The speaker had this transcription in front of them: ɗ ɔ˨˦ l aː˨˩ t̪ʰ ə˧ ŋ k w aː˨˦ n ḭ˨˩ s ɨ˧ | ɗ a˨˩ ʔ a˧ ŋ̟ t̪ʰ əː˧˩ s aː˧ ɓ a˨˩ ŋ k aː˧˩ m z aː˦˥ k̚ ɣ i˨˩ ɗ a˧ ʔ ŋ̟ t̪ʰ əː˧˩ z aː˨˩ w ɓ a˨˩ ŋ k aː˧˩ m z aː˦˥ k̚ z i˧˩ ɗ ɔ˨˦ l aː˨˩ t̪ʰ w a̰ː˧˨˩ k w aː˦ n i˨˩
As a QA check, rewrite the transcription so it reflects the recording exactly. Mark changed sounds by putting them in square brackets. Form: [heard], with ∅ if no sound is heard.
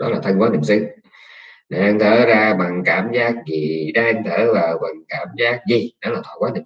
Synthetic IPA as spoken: ɗ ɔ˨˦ l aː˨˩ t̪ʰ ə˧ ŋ k w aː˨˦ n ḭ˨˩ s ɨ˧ | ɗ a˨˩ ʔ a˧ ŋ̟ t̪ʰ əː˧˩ [z] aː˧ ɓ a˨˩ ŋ k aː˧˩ m z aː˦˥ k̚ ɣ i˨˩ ɗ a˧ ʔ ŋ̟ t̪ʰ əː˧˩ [v] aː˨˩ w ɓ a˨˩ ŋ k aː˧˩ m z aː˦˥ k̚ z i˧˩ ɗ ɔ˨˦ l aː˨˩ t̪ʰ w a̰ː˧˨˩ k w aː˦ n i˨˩

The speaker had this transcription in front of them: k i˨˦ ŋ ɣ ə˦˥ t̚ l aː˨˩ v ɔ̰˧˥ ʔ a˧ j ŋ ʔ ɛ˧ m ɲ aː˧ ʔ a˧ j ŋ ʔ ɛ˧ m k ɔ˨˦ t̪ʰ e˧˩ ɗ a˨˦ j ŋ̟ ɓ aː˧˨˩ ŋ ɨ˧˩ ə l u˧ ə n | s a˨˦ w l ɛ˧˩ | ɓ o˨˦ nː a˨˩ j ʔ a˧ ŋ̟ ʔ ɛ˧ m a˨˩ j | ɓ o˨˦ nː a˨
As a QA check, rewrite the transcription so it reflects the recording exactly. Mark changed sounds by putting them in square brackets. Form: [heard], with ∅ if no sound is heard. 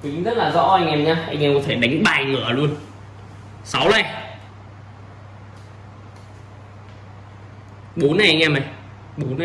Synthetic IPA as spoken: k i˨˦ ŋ [z] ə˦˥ t̚ l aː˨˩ [z] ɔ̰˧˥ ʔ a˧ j ŋ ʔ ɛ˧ m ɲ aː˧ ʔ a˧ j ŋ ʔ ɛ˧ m k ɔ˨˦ t̪ʰ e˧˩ ɗ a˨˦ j ŋ̟ ɓ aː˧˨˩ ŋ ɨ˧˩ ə l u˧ ə n | s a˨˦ w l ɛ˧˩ | ɓ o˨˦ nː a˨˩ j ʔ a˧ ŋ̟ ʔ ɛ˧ m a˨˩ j | ɓ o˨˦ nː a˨

